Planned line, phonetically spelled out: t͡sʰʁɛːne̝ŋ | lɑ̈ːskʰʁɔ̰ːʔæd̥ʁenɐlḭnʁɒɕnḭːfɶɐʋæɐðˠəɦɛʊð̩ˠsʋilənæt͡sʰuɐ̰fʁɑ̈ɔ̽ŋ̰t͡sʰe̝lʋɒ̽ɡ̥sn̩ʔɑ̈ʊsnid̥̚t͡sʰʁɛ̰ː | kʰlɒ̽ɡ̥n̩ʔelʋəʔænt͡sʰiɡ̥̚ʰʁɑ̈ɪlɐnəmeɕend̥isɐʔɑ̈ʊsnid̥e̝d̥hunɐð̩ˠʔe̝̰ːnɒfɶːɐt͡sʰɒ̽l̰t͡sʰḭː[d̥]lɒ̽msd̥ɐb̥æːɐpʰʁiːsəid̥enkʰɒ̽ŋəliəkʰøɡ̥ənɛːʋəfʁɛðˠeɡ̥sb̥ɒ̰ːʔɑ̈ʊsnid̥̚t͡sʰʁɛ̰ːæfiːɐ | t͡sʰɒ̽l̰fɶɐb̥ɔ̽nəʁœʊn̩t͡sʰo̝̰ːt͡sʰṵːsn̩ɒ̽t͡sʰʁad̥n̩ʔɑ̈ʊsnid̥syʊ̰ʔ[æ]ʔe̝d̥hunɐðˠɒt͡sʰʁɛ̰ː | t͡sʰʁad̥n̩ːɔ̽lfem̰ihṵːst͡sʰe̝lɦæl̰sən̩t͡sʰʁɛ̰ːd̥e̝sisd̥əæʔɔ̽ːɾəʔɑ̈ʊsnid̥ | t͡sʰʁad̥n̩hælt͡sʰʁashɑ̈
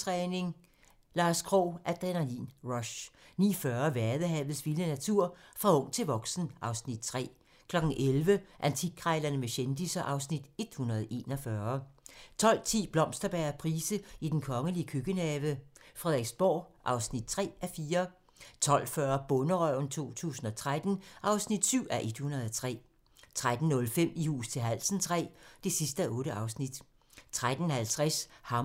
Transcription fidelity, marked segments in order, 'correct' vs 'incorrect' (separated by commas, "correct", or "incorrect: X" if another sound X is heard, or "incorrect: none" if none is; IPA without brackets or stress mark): incorrect: b̥, correct